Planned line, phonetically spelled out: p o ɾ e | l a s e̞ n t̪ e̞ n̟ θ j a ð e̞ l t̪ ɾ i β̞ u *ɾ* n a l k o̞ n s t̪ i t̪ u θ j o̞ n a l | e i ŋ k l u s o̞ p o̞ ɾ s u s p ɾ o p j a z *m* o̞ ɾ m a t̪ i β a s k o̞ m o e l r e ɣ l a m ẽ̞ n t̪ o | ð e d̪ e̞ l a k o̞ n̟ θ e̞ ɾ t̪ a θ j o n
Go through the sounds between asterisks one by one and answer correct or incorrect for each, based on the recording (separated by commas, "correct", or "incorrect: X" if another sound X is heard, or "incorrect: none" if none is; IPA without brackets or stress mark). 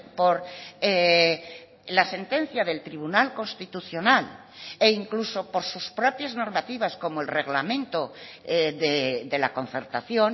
incorrect: none, incorrect: n